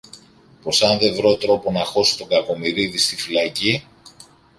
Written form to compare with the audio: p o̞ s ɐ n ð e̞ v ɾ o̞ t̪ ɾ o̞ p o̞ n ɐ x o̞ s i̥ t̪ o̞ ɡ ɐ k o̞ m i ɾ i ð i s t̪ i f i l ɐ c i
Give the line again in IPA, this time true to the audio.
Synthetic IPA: p o̞ s ɐ n ð e̞ v ɾ o̞ t̪ ɾ o̞ p o̞ n ɐ x o̞ s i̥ t̪ o̞ ɡ ɐ k o̞ m i ɾ i ð i s t̪ i f i l ɐ c i